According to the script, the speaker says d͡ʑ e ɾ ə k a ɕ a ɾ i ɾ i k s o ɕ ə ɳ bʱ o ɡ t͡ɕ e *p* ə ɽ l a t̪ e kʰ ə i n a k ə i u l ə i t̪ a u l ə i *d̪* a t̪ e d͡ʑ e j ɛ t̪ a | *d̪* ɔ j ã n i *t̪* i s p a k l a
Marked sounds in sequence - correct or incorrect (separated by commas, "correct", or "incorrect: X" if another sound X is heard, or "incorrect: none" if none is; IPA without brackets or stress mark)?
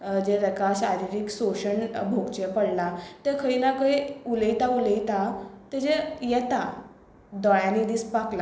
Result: correct, incorrect: t̪, correct, incorrect: d̪